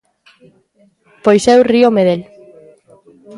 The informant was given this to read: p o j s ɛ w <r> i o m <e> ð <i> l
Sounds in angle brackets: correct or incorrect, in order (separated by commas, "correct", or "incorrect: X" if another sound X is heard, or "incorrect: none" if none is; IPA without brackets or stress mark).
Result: correct, correct, incorrect: e